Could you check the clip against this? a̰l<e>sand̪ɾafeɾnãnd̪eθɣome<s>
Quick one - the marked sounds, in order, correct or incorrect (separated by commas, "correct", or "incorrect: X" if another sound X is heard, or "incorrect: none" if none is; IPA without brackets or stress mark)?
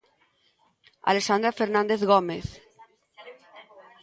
correct, incorrect: θ